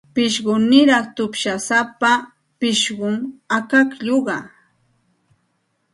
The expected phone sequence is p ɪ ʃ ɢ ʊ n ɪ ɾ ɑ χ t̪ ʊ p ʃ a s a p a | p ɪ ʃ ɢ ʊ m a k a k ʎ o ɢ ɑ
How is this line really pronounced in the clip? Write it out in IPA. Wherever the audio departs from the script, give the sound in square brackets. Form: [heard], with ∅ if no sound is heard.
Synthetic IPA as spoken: p ɪ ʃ ɢ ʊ n ɪ ɾ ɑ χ t̪ ʊ p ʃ a s a p a | p ɪ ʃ ɢ ʊ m a k a k ʎ o ɢ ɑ